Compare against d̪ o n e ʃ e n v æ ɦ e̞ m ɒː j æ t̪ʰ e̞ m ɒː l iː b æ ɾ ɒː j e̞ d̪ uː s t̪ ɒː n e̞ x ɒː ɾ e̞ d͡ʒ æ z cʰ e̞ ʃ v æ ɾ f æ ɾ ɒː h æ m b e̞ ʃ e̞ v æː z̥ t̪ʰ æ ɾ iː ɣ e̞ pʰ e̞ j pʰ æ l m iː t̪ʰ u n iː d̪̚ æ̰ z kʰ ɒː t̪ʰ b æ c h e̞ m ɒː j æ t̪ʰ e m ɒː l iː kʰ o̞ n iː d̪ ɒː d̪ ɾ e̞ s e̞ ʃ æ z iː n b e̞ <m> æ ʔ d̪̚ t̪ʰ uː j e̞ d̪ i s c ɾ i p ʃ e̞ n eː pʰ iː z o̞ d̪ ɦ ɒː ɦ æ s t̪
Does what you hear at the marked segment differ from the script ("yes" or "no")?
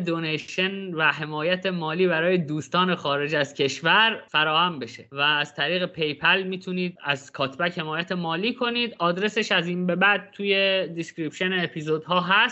yes